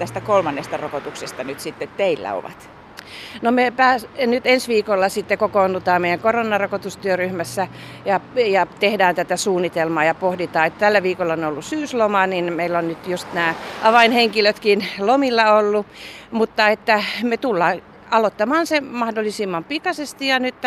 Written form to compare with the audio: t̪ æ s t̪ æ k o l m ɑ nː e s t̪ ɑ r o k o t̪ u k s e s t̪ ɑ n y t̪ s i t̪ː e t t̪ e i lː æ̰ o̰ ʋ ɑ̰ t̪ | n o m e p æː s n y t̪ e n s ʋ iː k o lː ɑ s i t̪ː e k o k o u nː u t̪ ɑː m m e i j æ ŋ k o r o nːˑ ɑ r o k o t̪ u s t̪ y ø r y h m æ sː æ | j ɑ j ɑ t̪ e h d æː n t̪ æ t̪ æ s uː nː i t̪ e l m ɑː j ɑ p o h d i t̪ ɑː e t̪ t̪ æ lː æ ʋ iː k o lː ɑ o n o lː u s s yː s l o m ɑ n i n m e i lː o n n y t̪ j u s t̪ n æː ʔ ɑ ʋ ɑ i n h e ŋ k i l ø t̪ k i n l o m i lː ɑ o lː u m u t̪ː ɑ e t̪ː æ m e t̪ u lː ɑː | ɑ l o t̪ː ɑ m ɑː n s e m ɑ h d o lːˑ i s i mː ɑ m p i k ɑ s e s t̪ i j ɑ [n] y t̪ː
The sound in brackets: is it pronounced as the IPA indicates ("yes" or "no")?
yes